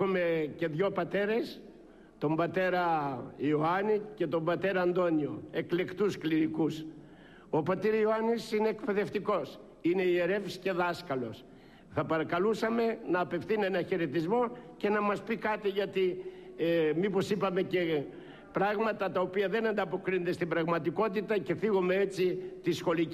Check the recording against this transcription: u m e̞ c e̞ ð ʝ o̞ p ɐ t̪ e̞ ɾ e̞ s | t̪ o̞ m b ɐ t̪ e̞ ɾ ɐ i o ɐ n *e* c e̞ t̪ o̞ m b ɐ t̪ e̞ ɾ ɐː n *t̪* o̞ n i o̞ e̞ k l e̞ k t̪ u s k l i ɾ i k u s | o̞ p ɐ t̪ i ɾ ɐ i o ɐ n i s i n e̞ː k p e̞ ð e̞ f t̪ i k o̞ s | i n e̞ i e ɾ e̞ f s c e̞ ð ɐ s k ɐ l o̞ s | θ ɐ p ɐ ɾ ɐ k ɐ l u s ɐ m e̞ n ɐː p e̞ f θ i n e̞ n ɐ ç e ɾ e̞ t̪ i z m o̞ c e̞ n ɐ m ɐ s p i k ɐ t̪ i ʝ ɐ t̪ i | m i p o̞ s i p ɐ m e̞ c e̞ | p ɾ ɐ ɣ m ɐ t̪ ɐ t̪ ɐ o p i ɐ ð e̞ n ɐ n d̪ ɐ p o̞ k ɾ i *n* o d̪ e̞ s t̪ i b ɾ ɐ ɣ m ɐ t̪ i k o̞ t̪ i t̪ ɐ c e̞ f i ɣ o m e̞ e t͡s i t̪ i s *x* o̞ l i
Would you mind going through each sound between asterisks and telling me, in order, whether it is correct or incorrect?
incorrect: i, incorrect: d̪, correct, correct

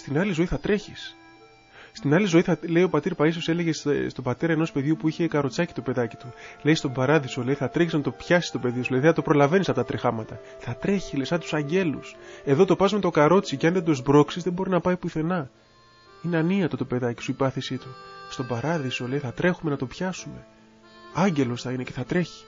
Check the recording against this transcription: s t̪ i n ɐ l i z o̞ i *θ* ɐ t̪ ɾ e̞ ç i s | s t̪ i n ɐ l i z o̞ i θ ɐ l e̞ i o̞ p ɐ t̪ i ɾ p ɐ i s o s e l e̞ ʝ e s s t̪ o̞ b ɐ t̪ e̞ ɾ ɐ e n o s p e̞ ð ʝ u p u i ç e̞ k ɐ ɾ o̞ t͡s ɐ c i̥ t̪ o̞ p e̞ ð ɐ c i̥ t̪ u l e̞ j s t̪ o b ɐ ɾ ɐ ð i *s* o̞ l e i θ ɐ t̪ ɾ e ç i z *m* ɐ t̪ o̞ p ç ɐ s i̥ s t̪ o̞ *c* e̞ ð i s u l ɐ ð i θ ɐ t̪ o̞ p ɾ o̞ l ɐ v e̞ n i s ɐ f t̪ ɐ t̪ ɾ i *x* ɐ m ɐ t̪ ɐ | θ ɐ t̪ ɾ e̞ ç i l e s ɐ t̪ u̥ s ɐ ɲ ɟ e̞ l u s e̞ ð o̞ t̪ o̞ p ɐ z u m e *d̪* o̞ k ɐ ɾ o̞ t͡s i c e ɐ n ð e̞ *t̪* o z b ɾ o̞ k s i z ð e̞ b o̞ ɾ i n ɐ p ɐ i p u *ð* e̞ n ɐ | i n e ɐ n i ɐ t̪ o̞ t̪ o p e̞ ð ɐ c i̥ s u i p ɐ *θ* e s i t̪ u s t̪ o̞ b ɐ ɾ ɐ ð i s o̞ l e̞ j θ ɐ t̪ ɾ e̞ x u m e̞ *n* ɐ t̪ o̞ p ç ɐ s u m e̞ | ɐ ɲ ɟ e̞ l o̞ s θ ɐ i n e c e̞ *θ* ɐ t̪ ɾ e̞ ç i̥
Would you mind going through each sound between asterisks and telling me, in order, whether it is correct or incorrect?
correct, correct, incorrect: n, incorrect: p, correct, incorrect: t̪, incorrect: d̪, incorrect: θ, correct, correct, correct

